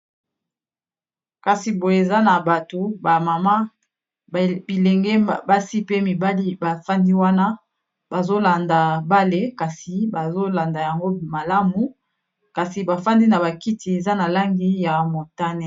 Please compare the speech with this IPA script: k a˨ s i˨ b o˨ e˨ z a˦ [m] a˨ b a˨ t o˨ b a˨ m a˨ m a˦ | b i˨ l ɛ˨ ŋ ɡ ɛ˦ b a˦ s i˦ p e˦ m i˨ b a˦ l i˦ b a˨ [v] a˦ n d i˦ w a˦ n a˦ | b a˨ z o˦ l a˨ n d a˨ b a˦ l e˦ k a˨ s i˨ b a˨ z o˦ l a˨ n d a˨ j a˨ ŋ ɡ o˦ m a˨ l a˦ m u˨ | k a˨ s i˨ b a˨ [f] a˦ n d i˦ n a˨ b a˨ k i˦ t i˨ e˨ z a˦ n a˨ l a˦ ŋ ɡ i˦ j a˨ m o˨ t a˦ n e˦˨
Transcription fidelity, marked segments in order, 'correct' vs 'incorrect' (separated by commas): incorrect, incorrect, correct